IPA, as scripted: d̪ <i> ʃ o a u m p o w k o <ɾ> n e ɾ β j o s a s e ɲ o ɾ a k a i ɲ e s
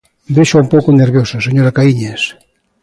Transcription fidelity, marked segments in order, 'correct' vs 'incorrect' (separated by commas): incorrect, incorrect